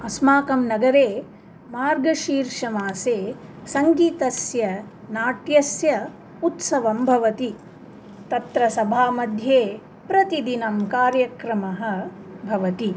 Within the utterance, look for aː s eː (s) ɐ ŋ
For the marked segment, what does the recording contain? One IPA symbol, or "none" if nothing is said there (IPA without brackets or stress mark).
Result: s